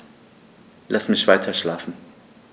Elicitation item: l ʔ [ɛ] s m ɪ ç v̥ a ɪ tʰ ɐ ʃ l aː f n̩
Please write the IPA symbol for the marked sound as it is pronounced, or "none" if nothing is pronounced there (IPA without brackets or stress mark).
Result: a